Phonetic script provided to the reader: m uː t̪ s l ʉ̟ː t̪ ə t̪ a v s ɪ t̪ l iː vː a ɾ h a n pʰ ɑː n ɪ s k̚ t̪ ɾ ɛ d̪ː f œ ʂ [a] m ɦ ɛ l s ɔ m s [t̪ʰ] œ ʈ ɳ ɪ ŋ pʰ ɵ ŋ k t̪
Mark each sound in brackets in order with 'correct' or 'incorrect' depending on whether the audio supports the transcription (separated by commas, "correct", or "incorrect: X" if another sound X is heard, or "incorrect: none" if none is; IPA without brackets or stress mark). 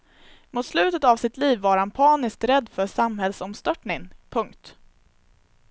correct, incorrect: t̪